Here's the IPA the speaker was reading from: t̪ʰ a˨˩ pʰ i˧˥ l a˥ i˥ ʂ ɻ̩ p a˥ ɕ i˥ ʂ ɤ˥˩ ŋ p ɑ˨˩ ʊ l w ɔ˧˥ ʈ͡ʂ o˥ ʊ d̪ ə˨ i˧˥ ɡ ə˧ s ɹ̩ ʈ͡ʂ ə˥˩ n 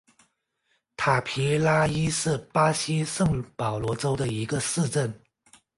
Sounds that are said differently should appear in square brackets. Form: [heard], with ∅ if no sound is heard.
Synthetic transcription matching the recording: t̪ʰ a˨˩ pʰ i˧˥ l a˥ i˥ ʂ ɻ̩ p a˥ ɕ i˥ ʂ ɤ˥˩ ŋ p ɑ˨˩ ʊ l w ɔ˧˥ ʈ͡ʂ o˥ ʊ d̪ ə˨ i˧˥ ɡ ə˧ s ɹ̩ ʈ͡ʂ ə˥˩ n